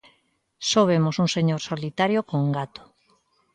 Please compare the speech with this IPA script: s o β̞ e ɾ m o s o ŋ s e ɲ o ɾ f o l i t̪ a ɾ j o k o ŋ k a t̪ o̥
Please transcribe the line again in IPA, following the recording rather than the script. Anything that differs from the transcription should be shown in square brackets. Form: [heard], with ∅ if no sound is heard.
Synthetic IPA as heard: s o β̞ e [∅] m o s [u] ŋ s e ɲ o ɾ [s] o l i t̪ a ɾ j o k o ŋ [ɡ] a t̪ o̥